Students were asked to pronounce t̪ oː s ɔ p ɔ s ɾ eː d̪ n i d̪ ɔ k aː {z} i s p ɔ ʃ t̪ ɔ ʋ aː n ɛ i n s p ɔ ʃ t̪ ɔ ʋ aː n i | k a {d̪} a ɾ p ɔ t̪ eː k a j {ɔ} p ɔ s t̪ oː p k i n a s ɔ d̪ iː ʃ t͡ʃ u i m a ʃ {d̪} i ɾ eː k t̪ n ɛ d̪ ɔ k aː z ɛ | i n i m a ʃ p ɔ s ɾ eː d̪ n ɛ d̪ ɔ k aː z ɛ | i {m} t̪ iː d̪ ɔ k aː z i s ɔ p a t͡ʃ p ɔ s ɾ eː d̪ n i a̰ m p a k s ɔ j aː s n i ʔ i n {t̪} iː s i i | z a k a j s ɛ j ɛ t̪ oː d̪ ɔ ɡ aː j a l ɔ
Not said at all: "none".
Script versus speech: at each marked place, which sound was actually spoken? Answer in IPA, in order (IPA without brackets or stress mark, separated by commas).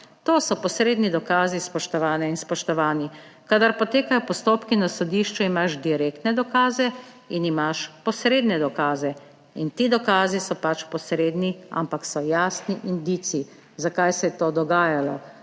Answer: z, d̪, ɔ, d̪, n, d̪